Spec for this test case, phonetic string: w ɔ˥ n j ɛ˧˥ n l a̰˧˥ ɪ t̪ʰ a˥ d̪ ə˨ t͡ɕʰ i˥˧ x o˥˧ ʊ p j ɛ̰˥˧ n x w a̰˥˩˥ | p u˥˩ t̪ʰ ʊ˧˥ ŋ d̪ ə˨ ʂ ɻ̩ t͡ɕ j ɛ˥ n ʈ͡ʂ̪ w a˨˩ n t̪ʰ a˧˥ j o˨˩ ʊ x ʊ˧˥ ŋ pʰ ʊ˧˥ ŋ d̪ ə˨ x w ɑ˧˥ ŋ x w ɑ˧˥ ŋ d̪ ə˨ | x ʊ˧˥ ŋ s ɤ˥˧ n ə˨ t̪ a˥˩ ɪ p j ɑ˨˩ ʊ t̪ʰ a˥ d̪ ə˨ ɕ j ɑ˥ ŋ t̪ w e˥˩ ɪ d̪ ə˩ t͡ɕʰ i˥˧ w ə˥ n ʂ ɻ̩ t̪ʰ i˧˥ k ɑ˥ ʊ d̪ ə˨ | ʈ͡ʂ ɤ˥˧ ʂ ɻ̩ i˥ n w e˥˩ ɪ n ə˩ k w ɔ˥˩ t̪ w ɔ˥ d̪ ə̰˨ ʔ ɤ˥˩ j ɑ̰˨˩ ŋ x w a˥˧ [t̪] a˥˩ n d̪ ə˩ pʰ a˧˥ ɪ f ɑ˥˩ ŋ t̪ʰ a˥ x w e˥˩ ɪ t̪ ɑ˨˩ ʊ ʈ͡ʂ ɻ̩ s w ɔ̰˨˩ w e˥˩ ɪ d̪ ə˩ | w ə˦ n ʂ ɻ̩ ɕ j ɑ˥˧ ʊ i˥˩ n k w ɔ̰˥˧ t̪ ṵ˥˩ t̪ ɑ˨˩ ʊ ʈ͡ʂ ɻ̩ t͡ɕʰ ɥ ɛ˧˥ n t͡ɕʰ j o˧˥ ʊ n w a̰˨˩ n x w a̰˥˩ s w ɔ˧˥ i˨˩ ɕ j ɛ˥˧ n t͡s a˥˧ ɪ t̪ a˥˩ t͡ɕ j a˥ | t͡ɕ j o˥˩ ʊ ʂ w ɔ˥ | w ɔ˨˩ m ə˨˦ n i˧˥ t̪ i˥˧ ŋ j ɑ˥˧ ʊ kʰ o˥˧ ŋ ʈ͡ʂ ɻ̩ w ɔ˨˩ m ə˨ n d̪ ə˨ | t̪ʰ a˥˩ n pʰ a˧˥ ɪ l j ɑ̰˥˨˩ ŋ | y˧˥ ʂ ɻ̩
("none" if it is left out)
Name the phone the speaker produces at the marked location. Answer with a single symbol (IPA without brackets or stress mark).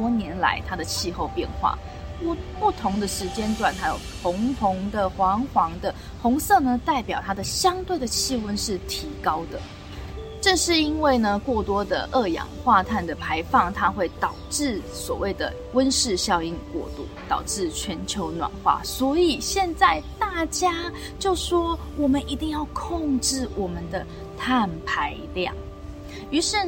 t̪ʰ